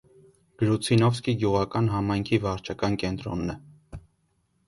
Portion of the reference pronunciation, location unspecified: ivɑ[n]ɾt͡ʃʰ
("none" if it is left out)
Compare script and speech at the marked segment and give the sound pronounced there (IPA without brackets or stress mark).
none